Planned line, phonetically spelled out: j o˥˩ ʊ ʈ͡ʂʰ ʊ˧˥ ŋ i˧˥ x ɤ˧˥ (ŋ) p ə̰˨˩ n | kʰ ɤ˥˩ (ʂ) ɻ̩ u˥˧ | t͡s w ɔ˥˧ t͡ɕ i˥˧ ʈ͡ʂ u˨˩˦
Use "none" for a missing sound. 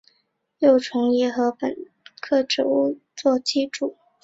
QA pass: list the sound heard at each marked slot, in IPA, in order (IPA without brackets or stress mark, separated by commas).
none, ʈ͡ʂ